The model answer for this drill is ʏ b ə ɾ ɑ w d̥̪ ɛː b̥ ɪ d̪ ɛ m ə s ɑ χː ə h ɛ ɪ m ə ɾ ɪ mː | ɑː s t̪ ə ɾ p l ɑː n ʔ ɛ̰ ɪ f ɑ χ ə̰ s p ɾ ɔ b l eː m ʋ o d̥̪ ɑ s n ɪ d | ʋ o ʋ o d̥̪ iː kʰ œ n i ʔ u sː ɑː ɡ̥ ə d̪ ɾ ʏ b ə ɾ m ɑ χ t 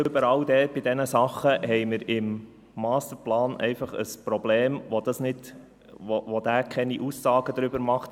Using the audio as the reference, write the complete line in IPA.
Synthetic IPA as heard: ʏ b ə ɾ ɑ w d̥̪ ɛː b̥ ɪ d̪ ɛ n ə s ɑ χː ə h ɛ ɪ m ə ɾ ɪ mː | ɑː s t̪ ə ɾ p l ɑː n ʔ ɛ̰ ɪ f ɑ χ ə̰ s p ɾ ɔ b l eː m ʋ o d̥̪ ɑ s n ɪ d | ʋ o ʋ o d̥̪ æː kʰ ɛ n i ʔ u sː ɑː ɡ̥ ə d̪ ɾ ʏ b ə ɾ m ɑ χ t